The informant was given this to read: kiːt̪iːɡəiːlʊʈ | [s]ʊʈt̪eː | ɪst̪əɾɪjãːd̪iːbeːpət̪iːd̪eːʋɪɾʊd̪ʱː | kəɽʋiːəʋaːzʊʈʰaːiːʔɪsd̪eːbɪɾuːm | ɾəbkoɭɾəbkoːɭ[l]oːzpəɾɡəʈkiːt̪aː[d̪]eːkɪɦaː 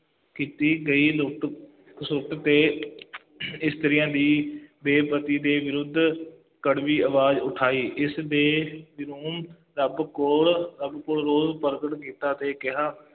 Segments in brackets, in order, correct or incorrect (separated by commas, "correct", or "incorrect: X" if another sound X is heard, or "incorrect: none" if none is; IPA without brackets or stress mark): correct, incorrect: ɾ, incorrect: t̪